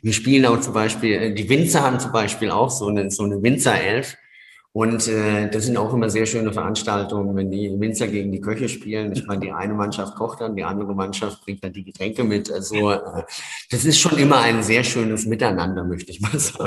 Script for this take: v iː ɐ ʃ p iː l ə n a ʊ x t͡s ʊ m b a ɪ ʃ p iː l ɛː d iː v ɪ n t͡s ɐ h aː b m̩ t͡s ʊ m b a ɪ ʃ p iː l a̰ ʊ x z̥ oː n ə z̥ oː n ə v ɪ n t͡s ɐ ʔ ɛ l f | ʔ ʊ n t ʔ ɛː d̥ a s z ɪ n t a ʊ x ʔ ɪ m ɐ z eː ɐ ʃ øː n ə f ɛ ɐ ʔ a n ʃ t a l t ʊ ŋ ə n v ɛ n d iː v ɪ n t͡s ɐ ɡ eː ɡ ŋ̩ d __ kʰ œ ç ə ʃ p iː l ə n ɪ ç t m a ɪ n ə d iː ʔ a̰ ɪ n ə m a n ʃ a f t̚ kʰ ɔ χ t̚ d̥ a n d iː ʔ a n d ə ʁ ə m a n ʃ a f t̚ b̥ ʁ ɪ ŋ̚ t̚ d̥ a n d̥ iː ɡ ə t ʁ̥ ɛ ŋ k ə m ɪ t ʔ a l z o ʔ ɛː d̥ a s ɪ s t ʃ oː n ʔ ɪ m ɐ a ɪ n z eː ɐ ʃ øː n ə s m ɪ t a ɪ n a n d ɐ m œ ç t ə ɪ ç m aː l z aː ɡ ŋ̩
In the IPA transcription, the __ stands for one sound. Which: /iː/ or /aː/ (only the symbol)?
iː